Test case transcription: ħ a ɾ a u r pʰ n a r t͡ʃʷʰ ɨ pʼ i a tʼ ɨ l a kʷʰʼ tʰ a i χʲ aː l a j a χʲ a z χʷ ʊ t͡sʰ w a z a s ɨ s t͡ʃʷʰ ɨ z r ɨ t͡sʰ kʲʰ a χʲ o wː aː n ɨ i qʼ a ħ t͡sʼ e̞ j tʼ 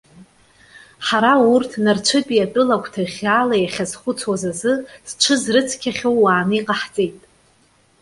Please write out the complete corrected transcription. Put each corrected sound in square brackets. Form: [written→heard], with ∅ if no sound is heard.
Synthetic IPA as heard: ħ a ɾ a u r [pʰ→tʰ] n a r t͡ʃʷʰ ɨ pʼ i a tʼ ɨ l a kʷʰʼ tʰ a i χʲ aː l a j a χʲ a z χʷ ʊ t͡sʰ w a z a [s→z] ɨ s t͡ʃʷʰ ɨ z r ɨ t͡sʰ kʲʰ a χʲ o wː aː n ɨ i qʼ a ħ t͡sʼ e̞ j tʼ